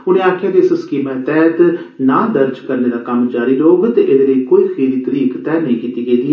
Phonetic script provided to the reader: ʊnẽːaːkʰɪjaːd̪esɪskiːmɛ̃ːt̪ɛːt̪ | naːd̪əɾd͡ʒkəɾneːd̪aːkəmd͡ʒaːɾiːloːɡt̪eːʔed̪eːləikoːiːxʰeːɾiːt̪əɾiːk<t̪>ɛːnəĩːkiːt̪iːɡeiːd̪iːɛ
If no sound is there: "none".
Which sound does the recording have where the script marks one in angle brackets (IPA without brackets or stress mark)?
t̪